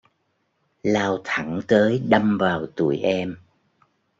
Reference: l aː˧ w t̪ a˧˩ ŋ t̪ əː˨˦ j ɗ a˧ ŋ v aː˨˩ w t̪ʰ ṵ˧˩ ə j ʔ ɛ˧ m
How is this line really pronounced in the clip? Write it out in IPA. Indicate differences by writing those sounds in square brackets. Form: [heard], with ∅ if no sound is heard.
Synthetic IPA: l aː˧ w [t̪ʰ] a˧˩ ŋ t̪ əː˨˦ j ɗ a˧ [m] v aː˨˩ w [t̪] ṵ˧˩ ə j ʔ ɛ˧ m